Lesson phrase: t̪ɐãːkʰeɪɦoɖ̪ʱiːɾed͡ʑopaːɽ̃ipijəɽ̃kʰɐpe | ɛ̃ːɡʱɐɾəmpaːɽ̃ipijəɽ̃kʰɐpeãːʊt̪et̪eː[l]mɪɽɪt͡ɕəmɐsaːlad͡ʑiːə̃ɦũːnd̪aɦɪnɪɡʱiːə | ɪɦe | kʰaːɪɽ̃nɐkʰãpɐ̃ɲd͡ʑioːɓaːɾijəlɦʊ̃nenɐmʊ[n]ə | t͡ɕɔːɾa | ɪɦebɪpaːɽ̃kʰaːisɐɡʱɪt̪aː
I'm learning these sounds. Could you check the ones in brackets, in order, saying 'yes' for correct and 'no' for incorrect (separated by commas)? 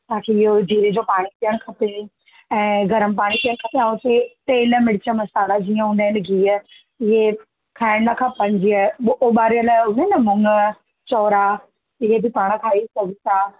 yes, no